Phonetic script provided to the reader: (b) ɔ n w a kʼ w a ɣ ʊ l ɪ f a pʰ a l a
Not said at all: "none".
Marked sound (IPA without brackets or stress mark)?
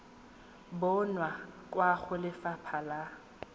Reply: b